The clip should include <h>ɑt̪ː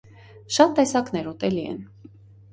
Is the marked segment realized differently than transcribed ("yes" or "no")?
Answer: yes